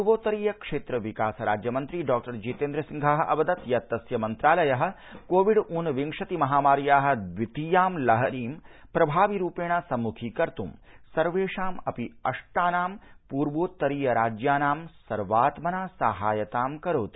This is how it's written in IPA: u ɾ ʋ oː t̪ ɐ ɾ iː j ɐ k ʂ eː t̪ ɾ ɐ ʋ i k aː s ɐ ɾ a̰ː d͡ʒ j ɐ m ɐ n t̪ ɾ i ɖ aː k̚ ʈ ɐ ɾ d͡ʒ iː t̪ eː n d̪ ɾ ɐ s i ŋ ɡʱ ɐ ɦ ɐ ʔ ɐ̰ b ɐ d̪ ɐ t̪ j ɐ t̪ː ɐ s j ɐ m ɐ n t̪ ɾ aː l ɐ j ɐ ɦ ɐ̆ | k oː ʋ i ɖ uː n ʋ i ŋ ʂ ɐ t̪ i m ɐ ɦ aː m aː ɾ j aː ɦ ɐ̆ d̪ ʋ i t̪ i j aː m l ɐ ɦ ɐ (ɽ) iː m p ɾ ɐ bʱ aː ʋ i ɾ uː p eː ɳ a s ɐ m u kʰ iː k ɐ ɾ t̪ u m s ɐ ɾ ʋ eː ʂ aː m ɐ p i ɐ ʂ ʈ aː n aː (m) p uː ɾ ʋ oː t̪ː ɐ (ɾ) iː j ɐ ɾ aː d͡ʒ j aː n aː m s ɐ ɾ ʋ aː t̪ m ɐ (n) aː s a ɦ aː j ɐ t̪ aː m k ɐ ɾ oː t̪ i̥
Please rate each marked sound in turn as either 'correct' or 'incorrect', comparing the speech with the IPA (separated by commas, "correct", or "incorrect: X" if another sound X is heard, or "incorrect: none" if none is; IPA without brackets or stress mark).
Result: incorrect: ɾ, correct, correct, correct